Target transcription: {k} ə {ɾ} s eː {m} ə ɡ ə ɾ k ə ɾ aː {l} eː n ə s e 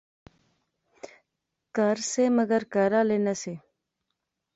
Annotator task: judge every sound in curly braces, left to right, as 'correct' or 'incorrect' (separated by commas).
correct, correct, correct, correct